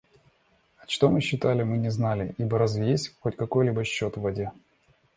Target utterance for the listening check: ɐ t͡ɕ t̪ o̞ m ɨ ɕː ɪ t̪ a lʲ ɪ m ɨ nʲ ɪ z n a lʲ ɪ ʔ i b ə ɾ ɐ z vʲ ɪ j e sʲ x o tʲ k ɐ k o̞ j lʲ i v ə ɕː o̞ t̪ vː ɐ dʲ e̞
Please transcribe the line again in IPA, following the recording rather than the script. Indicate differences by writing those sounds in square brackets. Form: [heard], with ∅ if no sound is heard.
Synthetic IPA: ɐ t͡ɕ t̪ o̞ m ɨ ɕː ɪ t̪ a lʲ ɪ m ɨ nʲ ɪ z n a lʲ ɪ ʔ i b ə ɾ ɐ z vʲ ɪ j e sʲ x o tʲ k ɐ k o̞ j lʲ i [b] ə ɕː o̞ t̪ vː ɐ dʲ e̞